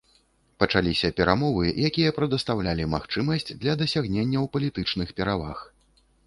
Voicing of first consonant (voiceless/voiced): voiceless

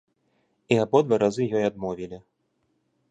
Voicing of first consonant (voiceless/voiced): voiced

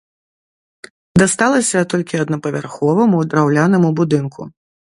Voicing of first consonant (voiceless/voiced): voiced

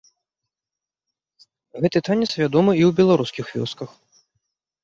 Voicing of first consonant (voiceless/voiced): voiced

